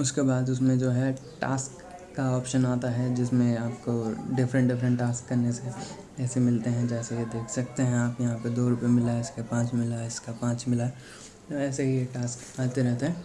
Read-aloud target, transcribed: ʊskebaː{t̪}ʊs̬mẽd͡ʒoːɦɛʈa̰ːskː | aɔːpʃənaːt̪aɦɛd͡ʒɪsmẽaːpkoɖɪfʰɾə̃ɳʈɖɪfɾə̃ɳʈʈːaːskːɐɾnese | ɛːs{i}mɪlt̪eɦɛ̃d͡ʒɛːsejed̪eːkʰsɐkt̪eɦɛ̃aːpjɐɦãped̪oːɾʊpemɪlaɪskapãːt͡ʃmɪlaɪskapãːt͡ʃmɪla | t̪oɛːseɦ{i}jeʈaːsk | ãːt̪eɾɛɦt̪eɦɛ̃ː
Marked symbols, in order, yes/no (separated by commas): no, no, yes